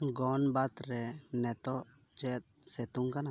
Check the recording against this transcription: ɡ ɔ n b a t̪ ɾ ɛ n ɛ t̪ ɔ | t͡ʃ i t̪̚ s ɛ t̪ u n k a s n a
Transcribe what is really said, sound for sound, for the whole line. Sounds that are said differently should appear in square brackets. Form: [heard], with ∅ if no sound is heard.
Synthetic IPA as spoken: ɡ ɔ n b a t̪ ɾ ɛ n ɛ t̪ ɔ | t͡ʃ [ɛ] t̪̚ s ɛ t̪ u [ŋ] k a [∅] n a

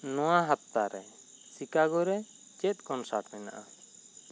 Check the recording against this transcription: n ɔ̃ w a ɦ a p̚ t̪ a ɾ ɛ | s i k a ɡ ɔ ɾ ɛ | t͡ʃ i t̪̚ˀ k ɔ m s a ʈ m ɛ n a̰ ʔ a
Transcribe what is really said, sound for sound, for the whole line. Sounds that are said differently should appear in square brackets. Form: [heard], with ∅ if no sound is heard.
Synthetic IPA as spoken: n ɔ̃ w a ɦ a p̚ t̪ a ɾ ɛ | s i k a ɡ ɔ ɾ ɛ | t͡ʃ [ɛ] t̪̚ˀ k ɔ [n] s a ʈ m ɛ n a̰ ʔ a

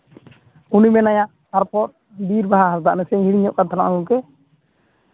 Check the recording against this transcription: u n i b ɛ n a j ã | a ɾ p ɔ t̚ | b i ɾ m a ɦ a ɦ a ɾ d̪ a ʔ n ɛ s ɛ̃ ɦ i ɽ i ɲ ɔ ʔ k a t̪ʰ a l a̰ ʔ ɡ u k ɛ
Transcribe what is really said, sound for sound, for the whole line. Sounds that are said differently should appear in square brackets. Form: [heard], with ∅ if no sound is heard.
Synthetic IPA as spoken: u n i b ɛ n a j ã | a ɾ p ɔ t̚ | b i ɾ [b] a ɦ a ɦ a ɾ d̪ a ʔ n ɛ s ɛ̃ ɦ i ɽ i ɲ ɔ ʔ k a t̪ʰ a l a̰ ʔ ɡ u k ɛ

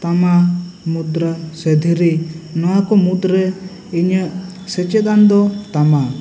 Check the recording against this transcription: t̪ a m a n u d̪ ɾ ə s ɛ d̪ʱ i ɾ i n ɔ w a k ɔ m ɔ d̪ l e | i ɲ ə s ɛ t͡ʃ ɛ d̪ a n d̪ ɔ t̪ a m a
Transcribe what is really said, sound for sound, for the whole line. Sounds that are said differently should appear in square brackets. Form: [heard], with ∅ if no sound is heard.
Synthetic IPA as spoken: t̪ a m a [m] u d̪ ɾ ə s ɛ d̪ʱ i ɾ i n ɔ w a k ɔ m [u] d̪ [ɾ] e | i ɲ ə s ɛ t͡ʃ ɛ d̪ a n d̪ ɔ t̪ a m a

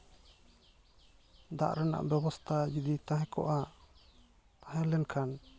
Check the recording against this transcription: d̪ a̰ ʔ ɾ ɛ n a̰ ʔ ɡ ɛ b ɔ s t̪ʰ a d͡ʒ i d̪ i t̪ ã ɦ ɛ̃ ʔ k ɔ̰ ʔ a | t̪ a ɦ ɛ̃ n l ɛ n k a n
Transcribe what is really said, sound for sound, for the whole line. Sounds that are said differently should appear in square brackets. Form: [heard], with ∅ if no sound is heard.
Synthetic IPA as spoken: d̪ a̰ ʔ ɾ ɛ n a̰ ʔ [b] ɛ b ɔ s t̪ʰ a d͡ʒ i d̪ i t̪ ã ɦ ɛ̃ [∅] k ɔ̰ ʔ a | t̪ a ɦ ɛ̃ [∅] l ɛ n [kʰ] a n

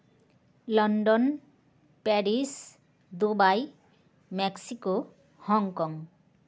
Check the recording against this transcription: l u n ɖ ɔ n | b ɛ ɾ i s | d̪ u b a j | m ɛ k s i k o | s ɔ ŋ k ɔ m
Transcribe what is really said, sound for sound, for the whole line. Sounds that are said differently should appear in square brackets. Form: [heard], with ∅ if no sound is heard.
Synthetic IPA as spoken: l [ɔ] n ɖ ɔ n | [p] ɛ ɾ i s | d̪ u b a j | m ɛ k s i k o | [h] ɔ ŋ k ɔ [ŋ]

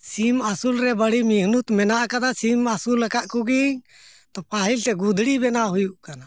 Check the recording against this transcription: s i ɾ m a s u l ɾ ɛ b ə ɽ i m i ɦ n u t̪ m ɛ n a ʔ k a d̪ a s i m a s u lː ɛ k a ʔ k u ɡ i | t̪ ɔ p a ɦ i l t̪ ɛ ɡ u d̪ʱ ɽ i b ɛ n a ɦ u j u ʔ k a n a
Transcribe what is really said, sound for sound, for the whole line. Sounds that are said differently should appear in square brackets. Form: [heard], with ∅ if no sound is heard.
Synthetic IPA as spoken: s i [∅] m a s u l ɾ ɛ b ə ɽ i m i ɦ n u t̪ m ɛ n a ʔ k a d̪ a s i m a s u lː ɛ k a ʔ k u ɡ i | t̪ ɔ p a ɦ i l t̪ ɛ ɡ u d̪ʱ ɽ i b ɛ n a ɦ u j u ʔ k a n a

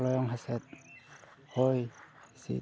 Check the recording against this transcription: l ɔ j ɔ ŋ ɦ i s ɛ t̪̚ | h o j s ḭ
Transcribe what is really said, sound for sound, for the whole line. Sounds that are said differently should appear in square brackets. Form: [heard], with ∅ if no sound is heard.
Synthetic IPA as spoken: l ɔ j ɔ ŋ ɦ [a] s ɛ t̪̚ | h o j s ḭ

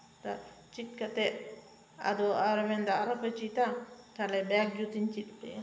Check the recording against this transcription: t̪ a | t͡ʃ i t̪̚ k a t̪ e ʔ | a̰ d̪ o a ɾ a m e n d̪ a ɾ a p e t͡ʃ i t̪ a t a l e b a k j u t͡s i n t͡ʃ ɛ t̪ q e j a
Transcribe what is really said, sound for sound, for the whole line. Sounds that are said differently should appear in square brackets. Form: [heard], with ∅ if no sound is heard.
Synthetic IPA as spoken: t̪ a | t͡ʃ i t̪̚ k a t̪ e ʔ | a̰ d̪ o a ɾ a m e n d̪ a ɾ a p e t͡ʃ i t̪ a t a l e b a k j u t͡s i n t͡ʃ [i] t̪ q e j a

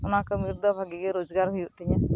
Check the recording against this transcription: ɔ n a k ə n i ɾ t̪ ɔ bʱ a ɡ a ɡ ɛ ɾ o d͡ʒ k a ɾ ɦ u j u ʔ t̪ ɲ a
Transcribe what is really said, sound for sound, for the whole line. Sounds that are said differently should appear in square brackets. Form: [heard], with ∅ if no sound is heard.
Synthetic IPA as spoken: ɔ n a k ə [m] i ɾ [d̪] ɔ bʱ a ɡ [i] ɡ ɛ ɾ o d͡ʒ [ɡ] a ɾ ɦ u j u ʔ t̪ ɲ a

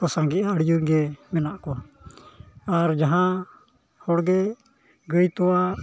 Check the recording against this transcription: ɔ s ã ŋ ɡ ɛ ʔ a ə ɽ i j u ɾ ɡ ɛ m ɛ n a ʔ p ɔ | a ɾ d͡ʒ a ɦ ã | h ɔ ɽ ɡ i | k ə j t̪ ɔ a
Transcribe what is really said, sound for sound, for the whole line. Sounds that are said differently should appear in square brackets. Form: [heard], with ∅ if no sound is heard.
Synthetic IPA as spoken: ɔ s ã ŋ ɡ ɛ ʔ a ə ɽ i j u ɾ ɡ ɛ m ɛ n a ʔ [k] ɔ | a ɾ d͡ʒ a ɦ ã | h ɔ ɽ ɡ [ɛ] | [ɡ] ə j t̪ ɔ a

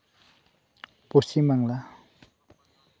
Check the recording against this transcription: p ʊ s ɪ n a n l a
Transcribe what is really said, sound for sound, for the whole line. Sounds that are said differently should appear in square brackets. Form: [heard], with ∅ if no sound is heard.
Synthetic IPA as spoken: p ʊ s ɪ [m] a [ŋ] l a

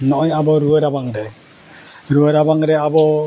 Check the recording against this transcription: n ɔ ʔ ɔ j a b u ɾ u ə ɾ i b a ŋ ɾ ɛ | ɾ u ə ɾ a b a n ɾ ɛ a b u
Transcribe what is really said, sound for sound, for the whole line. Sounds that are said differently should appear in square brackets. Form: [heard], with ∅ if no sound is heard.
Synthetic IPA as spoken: n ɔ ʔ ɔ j a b [ɔ] ɾ u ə ɾ [a] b a ŋ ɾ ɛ | ɾ u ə ɾ a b a [ŋ] ɾ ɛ a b [ɔ]

